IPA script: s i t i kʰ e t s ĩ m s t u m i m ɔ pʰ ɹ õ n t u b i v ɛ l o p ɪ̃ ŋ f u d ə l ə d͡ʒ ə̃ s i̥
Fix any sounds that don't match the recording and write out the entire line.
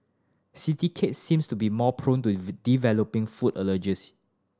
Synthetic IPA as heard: s i t i kʰ e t s ĩ m s t u b i m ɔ pʰ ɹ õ n t u d i v ɛ l o p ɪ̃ ŋ f u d ə l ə d͡ʒ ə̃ s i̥